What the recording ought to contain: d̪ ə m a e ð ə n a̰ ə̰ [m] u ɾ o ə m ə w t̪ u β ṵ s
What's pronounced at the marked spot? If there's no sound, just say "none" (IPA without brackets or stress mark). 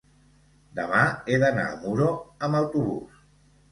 m